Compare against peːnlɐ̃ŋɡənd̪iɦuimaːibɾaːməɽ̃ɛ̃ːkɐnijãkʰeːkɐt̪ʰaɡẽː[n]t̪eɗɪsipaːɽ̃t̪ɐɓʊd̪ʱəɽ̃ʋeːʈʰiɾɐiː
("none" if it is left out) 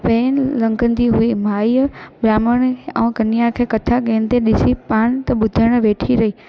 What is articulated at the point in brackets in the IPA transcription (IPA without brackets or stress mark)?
n